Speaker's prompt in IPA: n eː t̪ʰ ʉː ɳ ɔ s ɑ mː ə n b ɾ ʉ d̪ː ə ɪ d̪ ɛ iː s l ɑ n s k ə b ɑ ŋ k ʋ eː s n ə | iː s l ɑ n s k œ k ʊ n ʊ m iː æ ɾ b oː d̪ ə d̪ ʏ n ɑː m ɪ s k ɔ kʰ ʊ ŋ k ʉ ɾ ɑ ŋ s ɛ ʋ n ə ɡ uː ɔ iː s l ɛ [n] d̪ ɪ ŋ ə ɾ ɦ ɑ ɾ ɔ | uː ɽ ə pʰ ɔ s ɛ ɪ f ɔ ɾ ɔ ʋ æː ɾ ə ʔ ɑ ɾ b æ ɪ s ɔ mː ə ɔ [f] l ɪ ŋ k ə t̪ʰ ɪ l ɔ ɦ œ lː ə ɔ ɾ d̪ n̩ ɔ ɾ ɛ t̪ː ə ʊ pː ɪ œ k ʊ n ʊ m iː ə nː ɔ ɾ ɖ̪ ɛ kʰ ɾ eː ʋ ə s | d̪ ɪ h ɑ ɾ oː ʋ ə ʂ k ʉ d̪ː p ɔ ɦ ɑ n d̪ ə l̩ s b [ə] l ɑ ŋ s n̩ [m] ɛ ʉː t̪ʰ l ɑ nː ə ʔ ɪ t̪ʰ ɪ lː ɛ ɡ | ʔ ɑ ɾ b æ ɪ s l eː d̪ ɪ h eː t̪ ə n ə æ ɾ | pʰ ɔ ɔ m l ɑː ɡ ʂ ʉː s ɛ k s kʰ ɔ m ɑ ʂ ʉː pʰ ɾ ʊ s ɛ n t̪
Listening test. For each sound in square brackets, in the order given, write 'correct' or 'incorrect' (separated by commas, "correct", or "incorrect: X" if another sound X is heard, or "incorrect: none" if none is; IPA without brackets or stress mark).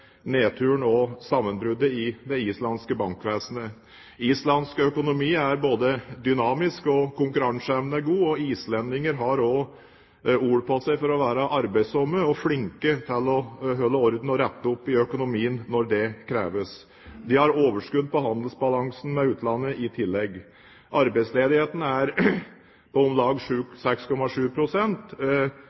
correct, correct, incorrect: ɑ, correct